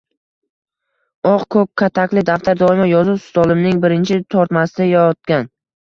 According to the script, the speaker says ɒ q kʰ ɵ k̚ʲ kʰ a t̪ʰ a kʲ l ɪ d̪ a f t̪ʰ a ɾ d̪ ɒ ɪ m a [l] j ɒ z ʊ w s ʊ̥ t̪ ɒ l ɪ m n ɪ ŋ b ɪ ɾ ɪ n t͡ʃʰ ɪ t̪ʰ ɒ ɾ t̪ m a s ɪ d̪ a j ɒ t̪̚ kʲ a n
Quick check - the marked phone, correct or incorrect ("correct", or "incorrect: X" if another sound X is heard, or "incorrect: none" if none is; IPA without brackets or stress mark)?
incorrect: none